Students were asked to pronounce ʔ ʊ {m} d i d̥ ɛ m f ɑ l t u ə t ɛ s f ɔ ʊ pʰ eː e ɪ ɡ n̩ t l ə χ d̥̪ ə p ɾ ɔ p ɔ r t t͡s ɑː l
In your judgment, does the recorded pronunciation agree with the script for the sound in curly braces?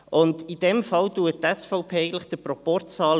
no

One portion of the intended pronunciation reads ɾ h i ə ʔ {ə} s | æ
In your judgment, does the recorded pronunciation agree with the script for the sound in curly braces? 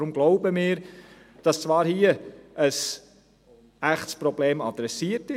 yes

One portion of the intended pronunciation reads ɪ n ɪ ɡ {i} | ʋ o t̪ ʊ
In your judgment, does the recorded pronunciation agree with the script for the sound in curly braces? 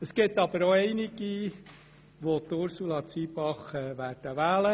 yes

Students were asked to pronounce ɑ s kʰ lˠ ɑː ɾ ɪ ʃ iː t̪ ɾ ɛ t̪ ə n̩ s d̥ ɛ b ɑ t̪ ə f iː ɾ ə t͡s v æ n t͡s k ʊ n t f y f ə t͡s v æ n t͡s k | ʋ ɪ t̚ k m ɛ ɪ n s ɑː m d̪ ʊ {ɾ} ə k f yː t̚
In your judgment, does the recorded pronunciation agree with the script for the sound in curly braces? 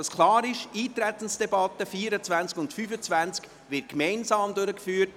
yes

